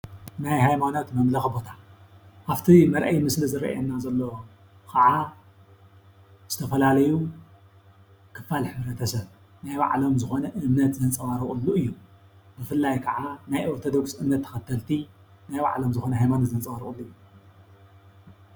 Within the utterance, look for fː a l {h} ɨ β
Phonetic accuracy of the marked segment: incorrect: ħ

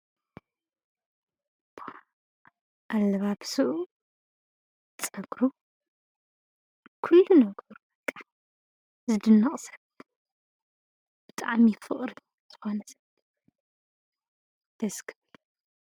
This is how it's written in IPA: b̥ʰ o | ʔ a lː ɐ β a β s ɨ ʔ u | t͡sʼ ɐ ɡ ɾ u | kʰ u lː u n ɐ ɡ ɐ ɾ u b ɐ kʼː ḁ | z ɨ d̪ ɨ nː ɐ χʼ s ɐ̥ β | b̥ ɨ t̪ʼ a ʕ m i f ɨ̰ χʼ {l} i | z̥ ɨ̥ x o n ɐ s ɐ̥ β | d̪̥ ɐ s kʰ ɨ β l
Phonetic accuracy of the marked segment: incorrect: ɾ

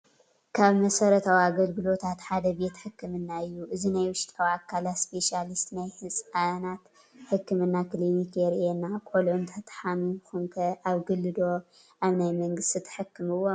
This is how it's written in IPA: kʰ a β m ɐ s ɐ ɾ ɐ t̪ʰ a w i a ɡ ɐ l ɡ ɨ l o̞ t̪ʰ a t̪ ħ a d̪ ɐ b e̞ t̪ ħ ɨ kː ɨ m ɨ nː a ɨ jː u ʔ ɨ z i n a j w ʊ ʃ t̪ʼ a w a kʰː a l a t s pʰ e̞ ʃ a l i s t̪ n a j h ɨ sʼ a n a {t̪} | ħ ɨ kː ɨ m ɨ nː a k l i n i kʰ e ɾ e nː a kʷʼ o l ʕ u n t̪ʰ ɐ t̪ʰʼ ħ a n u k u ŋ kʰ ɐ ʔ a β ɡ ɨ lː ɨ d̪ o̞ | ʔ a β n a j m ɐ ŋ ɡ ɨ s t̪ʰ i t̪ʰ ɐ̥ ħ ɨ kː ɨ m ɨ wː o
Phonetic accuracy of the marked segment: correct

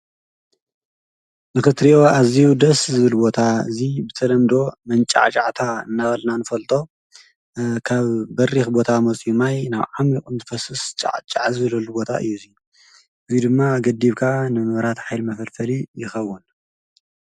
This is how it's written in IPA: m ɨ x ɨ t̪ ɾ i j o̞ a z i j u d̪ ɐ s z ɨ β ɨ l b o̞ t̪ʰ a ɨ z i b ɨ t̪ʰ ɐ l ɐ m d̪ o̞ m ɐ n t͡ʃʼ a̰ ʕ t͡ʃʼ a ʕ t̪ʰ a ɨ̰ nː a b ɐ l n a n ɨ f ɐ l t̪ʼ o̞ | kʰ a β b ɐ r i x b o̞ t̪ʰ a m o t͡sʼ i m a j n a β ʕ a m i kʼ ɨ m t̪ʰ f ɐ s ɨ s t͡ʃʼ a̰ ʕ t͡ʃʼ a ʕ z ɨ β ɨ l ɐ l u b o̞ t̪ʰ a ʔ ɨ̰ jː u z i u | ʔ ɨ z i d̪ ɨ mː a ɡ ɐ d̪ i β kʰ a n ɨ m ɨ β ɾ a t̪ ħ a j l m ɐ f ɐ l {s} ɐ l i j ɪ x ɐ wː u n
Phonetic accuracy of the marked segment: incorrect: f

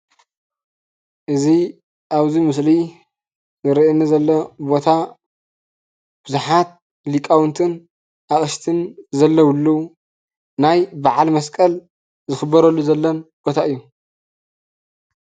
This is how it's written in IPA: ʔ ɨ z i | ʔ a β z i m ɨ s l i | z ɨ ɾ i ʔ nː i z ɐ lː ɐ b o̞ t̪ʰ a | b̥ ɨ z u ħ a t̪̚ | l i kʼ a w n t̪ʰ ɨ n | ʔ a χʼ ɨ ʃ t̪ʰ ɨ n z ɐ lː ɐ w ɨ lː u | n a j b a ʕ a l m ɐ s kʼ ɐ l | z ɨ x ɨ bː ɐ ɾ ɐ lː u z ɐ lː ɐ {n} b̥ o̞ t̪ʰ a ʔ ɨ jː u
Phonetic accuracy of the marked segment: correct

